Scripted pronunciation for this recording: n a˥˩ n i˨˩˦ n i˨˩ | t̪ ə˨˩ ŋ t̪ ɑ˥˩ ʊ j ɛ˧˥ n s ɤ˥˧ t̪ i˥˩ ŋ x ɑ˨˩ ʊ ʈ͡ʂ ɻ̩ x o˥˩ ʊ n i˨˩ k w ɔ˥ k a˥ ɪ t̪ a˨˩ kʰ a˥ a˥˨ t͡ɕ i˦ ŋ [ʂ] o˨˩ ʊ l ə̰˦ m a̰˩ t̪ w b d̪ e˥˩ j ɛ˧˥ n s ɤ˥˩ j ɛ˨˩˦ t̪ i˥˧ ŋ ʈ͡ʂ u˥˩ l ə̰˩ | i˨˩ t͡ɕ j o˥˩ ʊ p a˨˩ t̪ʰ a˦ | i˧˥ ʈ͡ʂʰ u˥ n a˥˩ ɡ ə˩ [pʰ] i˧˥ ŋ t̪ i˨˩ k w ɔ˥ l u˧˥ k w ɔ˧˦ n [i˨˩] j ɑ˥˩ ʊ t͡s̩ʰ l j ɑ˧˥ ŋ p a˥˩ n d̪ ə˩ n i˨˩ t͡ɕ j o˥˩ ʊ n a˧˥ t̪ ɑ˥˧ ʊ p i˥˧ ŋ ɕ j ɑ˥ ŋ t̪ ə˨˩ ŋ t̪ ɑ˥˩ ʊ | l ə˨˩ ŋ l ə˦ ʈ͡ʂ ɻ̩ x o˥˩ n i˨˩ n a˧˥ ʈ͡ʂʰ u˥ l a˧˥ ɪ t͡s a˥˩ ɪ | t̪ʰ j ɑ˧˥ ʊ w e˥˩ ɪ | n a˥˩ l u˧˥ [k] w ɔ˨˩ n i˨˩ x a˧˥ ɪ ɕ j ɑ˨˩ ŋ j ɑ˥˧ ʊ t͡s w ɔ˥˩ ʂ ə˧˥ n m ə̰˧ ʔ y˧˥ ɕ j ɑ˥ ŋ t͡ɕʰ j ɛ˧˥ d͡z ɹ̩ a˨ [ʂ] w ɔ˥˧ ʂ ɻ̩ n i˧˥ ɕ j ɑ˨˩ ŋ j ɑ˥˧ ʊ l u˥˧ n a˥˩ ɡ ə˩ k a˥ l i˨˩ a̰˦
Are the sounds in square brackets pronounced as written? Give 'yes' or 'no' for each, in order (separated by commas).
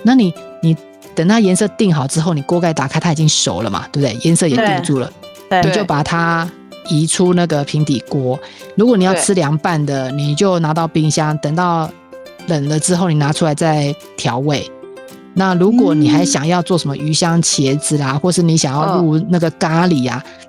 yes, yes, yes, yes, no